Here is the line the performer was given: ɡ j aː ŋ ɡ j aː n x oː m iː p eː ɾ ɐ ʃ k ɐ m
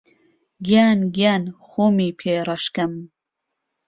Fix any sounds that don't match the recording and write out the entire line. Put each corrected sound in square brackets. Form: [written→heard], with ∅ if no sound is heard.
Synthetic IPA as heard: ɡ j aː [ŋ→n] ɡ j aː n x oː m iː [p→pʰ] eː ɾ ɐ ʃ k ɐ m